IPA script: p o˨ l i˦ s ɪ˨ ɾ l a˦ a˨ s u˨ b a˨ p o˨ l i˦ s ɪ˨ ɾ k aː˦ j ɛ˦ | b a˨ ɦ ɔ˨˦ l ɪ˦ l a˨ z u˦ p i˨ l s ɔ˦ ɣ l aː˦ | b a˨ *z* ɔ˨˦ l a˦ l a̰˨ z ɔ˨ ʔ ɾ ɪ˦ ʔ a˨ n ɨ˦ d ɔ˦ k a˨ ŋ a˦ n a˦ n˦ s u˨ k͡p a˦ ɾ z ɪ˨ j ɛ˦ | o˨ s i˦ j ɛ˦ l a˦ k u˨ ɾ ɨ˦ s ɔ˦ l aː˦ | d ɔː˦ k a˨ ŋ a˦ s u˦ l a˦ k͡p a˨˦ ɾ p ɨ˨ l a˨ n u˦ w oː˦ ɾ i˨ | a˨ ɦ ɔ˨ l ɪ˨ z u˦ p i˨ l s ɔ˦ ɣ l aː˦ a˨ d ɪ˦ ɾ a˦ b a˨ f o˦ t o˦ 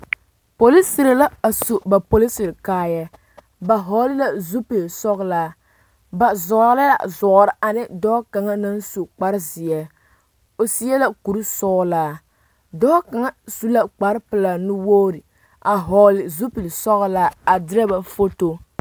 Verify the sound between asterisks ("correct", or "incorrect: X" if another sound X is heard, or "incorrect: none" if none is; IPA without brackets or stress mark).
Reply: correct